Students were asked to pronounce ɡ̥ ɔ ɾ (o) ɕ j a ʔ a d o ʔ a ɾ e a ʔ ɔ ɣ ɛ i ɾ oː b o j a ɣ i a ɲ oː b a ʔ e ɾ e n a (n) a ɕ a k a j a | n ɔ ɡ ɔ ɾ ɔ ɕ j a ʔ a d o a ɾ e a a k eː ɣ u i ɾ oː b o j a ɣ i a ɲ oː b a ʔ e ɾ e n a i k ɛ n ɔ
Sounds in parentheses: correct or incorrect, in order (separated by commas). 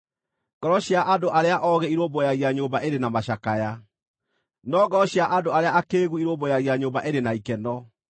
incorrect, incorrect